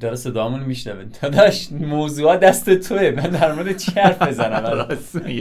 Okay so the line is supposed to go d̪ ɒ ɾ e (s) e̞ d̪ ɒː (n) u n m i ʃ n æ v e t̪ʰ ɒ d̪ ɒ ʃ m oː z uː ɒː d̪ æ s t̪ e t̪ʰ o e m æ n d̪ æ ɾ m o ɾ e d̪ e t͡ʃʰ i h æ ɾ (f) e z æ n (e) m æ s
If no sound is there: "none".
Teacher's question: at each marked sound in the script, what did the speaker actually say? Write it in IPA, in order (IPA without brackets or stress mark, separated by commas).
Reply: s, m, f, æ